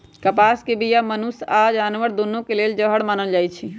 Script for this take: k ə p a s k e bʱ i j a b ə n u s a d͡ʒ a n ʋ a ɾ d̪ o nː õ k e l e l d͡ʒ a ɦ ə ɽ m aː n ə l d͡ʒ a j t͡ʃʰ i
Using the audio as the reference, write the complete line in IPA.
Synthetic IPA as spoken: k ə p a s k e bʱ i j a m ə n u s a d͡ʒ a n ʋ ə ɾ d̪ o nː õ k e l e l d͡ʒ ə ɦ ə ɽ m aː n ə l d͡ʒ a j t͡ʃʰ i